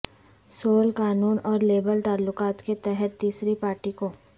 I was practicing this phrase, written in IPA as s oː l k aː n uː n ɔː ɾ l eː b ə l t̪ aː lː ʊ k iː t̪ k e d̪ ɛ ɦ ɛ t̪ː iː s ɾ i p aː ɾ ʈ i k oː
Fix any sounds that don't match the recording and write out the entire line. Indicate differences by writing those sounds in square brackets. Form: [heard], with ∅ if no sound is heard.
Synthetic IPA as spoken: s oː l k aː n uː n ɔː ɾ l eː b ə l t̪ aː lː ʊ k [aː] t̪ k e [t̪] ɛ ɦ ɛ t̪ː iː s ɾ i p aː ɾ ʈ i k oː